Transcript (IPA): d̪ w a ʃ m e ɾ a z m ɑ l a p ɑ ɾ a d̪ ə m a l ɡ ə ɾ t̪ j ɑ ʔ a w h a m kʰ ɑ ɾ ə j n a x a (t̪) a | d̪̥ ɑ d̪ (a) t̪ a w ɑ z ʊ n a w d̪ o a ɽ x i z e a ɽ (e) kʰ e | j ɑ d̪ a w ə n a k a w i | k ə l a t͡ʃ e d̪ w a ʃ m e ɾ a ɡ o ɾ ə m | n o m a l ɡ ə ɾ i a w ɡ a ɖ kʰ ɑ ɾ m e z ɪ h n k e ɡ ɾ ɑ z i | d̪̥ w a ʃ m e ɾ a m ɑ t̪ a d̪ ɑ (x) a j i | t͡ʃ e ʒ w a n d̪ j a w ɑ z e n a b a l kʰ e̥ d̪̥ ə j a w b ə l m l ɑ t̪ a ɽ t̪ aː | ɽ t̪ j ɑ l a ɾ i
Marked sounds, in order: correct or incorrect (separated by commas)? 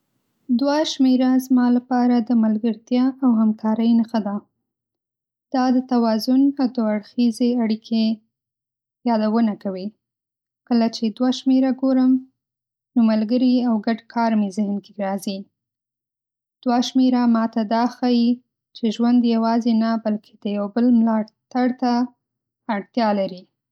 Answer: incorrect, incorrect, incorrect, correct